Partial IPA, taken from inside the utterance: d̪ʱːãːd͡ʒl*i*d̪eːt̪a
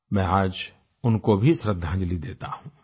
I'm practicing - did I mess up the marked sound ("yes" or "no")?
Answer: no